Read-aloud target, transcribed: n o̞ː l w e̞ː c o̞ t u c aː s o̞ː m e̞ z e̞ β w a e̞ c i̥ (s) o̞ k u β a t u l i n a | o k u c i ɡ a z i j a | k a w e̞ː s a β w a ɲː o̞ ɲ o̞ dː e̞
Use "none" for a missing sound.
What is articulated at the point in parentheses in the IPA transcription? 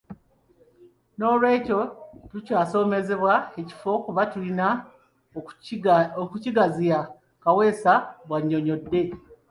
f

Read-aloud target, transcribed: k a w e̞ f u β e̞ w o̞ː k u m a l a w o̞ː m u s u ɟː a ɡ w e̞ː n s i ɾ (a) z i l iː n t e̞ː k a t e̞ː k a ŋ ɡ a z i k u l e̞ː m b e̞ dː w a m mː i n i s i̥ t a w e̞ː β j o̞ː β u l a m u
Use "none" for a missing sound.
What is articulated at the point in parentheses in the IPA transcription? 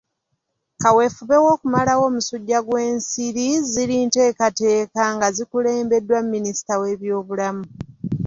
i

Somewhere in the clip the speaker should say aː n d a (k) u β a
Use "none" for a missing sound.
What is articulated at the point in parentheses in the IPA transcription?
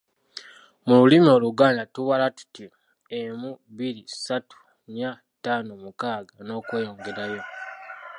t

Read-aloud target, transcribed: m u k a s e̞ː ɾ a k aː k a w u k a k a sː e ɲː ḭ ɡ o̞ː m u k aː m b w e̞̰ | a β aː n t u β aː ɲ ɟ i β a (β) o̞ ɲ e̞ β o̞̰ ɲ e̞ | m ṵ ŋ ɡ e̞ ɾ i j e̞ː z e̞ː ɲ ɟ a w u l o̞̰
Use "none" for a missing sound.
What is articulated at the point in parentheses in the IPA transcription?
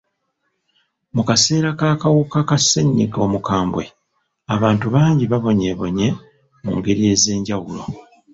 β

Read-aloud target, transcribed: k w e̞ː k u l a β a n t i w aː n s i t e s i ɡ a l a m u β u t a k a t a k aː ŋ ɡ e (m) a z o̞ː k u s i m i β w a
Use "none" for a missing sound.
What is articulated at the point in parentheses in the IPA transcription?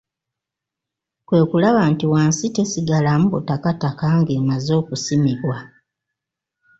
m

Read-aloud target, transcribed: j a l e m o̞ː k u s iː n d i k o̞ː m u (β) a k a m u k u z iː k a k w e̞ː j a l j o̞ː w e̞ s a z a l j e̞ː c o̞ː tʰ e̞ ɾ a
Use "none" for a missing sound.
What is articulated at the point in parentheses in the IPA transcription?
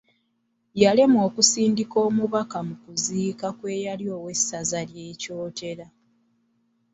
β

